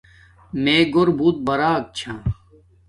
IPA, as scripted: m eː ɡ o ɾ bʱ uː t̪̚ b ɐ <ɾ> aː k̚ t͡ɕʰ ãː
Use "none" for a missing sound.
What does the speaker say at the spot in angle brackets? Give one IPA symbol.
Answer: ɾ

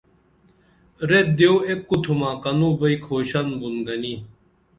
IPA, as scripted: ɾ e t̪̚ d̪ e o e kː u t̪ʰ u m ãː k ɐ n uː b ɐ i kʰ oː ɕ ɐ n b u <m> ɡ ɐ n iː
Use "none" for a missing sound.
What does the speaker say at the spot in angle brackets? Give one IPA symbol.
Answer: n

